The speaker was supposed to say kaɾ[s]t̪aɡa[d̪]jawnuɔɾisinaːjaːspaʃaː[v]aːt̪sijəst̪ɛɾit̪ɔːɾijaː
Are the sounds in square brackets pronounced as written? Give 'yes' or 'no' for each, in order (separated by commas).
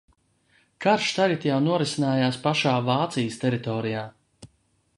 no, no, yes